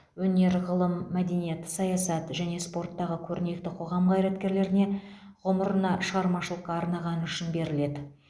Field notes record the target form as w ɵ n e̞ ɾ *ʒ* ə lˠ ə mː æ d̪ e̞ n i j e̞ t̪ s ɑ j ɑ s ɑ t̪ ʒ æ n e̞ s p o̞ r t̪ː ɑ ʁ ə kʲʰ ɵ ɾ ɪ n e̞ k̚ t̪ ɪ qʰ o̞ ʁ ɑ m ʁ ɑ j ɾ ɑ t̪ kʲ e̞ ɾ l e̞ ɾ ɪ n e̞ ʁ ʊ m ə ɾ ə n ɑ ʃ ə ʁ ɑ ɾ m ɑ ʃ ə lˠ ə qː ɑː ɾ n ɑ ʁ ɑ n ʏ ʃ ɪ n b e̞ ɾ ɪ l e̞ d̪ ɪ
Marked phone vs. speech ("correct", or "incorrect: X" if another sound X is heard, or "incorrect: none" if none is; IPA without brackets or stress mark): incorrect: ʁ